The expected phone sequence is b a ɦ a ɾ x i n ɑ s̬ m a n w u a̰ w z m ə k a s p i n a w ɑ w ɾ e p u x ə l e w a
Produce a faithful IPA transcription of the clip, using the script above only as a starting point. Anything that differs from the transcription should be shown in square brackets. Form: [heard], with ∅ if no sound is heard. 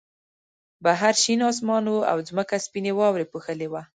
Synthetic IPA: b a ɦ a ɾ [ʃ] i n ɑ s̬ m [ɑ] n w u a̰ w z m ə k a s p i n [e] w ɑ w ɾ e p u x ə l e w a